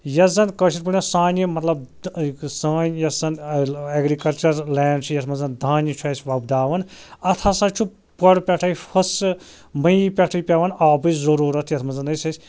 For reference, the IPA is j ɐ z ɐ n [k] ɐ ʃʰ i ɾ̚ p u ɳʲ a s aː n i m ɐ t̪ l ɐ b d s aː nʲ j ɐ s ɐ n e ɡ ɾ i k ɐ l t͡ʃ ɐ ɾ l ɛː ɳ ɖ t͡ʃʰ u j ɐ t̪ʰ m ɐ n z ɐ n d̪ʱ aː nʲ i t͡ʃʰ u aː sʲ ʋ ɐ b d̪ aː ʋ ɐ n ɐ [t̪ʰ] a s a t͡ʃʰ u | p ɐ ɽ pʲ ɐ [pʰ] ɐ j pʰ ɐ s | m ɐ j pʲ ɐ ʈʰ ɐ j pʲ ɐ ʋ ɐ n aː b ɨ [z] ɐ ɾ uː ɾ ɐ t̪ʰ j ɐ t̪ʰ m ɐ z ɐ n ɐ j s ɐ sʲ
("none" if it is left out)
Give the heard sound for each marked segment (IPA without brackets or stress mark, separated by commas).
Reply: k, t̪ʰ, ʈʰ, z